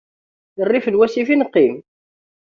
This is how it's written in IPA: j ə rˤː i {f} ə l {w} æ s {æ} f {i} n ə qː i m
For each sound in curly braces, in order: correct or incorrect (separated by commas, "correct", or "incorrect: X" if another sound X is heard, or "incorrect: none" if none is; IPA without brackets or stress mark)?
correct, correct, incorrect: i, correct